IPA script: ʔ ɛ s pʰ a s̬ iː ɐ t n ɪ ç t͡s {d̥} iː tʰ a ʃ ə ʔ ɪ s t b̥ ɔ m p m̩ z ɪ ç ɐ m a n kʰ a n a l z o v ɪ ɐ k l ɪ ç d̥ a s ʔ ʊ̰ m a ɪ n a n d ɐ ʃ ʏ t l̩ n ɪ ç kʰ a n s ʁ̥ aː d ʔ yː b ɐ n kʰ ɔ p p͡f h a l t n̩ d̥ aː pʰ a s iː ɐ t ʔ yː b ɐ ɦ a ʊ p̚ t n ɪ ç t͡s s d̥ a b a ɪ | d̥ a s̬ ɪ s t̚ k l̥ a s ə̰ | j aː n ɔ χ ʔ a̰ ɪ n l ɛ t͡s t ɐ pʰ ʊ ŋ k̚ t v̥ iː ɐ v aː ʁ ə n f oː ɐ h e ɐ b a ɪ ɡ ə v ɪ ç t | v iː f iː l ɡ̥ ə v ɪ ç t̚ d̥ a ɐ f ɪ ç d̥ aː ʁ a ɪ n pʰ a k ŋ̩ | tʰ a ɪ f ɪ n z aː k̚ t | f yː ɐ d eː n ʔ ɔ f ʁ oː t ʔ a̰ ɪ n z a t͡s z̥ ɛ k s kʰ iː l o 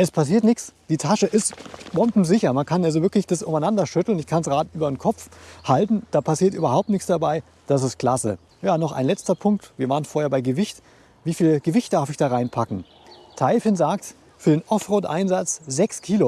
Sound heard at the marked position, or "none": d̥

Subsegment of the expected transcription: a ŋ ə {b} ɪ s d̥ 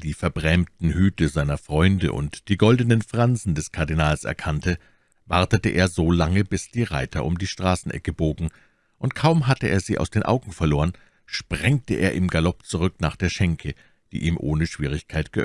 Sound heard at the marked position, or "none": b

